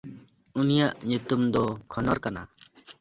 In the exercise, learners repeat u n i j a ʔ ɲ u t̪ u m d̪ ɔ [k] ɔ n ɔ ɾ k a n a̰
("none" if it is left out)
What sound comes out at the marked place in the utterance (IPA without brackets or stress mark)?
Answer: kʰ